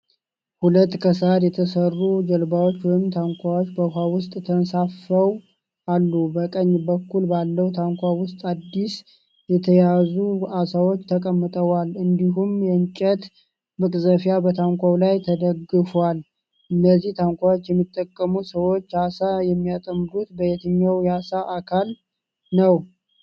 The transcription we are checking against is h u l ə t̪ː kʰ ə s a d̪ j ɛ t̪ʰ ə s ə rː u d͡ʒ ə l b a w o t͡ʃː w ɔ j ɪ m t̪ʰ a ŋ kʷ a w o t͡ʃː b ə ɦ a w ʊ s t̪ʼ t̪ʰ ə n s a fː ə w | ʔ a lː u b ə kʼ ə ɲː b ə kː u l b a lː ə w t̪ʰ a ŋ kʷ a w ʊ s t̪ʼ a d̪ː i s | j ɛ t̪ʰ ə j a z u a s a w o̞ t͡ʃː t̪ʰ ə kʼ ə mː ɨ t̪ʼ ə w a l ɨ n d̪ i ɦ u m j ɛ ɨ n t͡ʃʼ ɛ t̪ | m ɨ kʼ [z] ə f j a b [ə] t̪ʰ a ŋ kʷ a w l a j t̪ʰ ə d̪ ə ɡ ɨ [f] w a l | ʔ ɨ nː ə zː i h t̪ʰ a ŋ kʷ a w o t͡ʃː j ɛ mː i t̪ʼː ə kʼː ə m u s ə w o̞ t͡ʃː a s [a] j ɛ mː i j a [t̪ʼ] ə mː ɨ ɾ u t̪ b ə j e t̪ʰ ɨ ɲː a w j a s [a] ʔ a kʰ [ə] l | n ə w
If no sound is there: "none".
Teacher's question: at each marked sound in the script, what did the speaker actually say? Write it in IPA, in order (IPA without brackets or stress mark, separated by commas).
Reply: z, ə, f, a, t̪ʼ, a, a